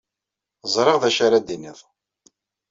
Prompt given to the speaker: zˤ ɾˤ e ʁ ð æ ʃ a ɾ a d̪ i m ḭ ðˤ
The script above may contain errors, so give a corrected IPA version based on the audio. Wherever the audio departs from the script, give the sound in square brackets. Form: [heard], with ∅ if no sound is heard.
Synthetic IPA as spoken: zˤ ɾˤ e ʁ ð æ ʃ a ɾ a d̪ i [n] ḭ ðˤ